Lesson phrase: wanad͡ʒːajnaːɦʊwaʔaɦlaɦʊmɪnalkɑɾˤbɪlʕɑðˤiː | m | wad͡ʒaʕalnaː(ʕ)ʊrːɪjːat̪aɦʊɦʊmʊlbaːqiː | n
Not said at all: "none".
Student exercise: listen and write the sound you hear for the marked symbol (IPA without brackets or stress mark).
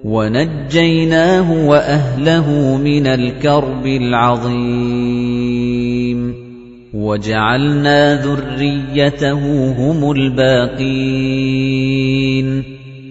ð